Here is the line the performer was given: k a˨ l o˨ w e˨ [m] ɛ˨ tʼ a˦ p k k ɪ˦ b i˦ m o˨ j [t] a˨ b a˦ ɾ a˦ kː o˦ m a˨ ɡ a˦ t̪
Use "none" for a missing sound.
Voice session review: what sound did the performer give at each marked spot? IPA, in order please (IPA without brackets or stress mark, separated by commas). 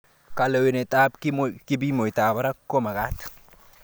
n, t